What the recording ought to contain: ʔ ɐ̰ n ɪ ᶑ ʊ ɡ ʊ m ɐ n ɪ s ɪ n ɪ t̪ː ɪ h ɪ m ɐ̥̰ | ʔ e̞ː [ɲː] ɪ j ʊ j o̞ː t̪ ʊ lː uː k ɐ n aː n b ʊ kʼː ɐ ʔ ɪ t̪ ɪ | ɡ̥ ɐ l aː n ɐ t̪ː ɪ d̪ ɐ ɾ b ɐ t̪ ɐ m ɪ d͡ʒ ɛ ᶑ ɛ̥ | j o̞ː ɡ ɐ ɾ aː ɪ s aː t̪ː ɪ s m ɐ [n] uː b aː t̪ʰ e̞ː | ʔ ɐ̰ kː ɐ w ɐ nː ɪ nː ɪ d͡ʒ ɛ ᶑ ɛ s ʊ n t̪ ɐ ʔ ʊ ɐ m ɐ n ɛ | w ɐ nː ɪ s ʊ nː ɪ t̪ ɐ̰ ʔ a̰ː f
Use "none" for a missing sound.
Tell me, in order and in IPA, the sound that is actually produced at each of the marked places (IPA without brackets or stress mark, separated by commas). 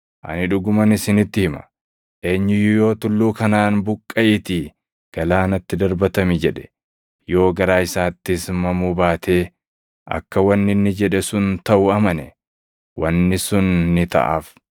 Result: ɲː, m